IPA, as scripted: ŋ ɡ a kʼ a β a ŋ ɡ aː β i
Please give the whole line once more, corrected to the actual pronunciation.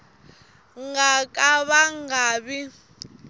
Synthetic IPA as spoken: ŋ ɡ a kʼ a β a ŋ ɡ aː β i